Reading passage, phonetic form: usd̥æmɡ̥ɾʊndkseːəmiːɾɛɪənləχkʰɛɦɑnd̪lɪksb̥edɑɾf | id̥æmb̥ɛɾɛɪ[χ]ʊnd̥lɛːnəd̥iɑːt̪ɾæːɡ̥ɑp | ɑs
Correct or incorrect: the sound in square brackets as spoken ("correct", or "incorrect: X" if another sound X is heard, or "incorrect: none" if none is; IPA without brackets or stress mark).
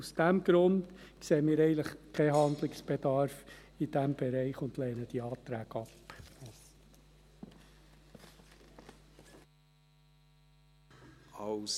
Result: correct